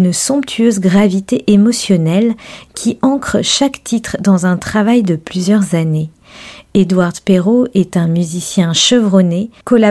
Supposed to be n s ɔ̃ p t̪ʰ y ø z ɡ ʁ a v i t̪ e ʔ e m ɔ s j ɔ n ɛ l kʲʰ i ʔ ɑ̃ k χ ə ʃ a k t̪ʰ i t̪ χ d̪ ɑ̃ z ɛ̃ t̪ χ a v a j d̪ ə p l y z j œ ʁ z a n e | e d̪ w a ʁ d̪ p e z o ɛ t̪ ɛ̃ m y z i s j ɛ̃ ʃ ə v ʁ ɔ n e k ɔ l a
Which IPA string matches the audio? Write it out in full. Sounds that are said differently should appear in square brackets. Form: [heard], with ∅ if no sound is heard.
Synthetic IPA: n s ɔ̃ p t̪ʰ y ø z ɡ ʁ a v i t̪ e ʔ e m ɔ s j ɔ n ɛ l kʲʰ i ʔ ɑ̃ k χ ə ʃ a k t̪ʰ i t̪ χ d̪ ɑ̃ z ɛ̃ t̪ χ a v a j d̪ ə p l y z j œ ʁ z a n e | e d̪ w a ʁ d̪ p e [ʁ] o ɛ t̪ ɛ̃ m y z i s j ɛ̃ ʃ ə v ʁ ɔ n e k ɔ l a